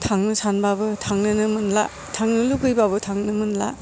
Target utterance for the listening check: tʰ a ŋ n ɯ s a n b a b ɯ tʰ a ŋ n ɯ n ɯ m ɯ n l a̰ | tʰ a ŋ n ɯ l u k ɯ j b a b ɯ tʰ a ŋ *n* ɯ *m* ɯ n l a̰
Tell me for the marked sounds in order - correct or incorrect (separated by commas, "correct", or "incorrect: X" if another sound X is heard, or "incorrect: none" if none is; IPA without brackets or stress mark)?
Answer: correct, correct